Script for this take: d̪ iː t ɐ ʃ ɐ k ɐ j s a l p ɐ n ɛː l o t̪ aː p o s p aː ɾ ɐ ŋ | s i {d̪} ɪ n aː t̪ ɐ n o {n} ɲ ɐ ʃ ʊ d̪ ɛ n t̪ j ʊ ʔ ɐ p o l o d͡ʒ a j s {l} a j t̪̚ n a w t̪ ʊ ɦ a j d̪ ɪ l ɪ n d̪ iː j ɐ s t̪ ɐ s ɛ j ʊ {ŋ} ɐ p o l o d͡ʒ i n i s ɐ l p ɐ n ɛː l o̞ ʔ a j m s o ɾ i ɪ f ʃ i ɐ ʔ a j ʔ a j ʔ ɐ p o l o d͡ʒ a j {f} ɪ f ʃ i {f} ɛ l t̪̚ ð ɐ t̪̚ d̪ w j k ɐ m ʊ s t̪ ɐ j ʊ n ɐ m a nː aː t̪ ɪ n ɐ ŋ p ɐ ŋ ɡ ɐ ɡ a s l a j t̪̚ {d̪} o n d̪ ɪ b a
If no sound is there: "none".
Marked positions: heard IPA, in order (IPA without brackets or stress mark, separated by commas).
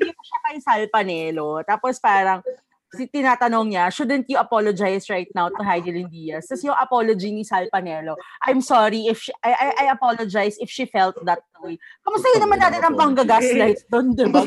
t̪, ŋ, ɹ, ŋ, s, f, d̪